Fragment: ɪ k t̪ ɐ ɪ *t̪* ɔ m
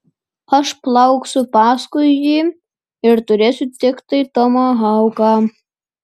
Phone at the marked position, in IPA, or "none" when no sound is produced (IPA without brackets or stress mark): t̪